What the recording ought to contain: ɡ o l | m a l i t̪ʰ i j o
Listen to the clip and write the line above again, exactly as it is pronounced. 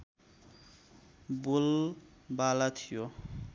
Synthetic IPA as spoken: b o l | b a l a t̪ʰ i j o